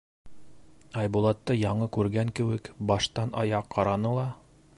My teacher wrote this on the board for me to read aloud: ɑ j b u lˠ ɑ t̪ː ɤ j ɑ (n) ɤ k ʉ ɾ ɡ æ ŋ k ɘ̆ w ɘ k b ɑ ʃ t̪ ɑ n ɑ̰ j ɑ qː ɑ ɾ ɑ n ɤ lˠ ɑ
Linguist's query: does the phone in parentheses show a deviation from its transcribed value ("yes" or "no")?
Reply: yes